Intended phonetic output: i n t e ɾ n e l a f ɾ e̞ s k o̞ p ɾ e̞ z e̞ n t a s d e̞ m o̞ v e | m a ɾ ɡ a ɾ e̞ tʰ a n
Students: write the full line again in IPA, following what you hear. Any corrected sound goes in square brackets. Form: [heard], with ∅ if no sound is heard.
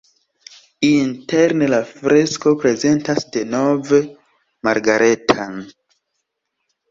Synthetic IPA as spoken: i n t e ɾ n e l a f ɾ e̞ s k o̞ p ɾ e̞ z e̞ n t a s d e̞ [n] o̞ v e | m a ɾ ɡ a ɾ e̞ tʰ a n